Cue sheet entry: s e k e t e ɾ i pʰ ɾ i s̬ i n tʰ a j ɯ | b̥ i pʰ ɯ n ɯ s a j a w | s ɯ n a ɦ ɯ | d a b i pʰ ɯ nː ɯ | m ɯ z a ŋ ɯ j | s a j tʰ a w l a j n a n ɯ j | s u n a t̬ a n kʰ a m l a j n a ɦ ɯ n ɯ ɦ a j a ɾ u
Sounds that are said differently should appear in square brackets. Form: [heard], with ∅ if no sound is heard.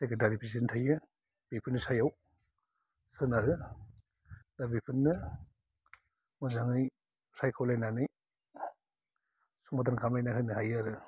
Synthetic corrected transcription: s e k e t [a] ɾ i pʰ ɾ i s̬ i n tʰ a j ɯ | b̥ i pʰ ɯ n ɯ s a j a w | s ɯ n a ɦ ɯ | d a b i pʰ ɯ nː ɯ | m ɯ z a ŋ ɯ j | s a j [kʰ] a w l a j n a n ɯ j | s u [m] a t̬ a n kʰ a m l a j n a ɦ ɯ n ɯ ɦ a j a ɾ [ɯ]